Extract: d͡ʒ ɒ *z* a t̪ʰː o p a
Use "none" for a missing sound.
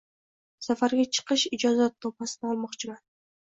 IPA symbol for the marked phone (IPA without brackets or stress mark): z